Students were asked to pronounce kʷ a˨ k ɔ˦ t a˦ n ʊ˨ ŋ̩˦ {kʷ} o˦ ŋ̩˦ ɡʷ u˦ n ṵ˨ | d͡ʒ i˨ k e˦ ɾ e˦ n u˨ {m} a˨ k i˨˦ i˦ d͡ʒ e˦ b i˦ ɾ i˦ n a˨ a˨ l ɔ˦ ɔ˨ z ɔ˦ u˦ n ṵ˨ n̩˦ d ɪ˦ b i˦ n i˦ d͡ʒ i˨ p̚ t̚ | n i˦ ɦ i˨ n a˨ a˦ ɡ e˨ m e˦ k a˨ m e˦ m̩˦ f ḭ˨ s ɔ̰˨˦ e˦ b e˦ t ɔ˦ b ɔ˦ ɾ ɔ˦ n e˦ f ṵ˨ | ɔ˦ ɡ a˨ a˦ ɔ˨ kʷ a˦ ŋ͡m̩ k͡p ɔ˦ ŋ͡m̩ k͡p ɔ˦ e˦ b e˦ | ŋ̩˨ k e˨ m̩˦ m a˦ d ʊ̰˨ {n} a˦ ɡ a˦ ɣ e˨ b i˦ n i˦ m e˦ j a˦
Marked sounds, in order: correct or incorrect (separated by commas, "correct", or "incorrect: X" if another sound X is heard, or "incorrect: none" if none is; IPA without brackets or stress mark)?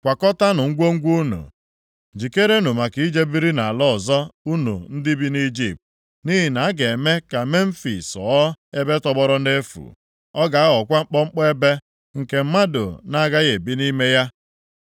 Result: incorrect: ɡʷ, correct, correct